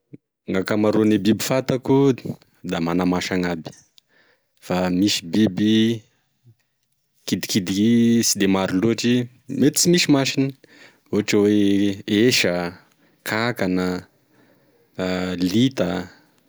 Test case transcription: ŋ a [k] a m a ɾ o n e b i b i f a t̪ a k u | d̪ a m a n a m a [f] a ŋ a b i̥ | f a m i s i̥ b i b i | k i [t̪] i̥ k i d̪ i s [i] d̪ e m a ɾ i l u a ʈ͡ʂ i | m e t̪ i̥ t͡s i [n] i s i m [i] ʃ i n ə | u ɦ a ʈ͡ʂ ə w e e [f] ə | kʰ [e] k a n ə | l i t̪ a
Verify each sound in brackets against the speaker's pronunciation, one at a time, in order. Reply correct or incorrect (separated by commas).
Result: correct, incorrect, incorrect, correct, incorrect, incorrect, incorrect, incorrect